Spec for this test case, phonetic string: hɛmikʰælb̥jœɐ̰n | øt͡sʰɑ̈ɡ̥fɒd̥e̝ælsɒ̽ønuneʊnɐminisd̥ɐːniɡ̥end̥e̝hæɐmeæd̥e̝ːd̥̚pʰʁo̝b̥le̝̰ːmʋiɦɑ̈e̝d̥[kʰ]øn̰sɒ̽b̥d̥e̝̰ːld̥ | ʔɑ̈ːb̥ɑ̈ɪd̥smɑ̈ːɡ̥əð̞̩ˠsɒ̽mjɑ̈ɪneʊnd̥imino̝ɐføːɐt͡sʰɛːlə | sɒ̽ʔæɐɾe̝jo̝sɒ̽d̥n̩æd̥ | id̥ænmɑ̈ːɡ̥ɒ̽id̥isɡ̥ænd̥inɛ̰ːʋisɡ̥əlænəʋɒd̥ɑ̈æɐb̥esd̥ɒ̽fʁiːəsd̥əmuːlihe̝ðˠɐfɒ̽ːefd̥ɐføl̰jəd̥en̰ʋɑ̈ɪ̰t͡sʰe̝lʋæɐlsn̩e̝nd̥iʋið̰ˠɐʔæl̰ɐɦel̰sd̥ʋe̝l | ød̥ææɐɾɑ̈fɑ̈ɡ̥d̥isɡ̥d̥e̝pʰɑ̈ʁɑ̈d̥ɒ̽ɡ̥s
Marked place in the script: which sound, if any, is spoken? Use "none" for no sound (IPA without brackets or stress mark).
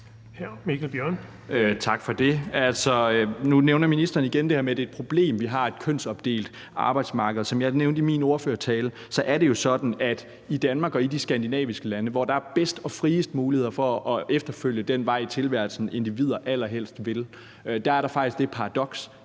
kʰ